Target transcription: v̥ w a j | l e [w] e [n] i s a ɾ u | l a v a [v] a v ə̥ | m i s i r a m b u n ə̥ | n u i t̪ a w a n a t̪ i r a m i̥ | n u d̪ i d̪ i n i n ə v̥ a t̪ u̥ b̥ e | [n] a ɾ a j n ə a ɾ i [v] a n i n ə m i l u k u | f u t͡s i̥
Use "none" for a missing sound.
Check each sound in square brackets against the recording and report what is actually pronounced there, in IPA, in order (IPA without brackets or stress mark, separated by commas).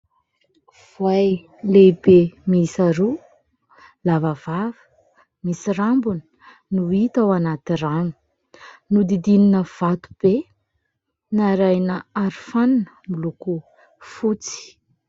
b, m, v, n, f